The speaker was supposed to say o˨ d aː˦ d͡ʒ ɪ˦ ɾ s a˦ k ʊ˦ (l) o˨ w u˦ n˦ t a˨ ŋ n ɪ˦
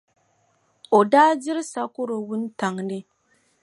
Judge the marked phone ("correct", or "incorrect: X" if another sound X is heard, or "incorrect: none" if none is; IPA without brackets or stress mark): incorrect: ɾ